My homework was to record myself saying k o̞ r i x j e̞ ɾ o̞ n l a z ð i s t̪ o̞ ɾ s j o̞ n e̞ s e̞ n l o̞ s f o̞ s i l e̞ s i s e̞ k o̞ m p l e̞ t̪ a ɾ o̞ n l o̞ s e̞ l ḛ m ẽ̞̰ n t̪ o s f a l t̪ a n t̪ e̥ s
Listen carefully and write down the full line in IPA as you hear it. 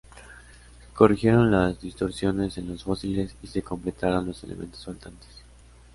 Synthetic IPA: k o̞ r i x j e̞ ɾ o̞ n l a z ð i s t̪ o̞ ɾ s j o̞ n e̞ s e̞ n l o̞ s f o̞ s i l e̞ s i s e̞ k o̞ m p l e̞ t̪ a ɾ o̞ n l o̞ s e̞ l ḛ m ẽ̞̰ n t̪ o s f a l t̪ a n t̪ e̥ s